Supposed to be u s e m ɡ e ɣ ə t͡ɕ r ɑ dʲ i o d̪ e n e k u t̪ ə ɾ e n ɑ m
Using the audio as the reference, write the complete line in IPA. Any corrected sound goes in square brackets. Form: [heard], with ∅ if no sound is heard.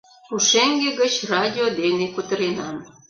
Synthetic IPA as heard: u [ʃ] e [ŋ] ɡ e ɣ ə t͡ɕ r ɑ dʲ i o d̪ e n e k u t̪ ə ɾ e n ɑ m